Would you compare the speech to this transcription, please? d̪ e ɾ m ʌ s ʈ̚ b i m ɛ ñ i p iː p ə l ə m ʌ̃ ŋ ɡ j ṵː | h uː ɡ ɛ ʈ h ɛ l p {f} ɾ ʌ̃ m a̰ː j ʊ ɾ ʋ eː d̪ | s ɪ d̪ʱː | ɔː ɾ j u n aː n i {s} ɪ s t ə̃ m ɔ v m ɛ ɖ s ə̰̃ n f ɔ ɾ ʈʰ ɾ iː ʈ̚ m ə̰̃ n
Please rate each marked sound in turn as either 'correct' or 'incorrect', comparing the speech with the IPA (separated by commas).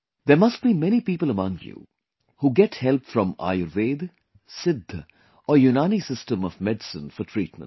correct, correct